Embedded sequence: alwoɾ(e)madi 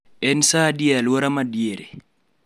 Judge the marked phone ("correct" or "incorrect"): incorrect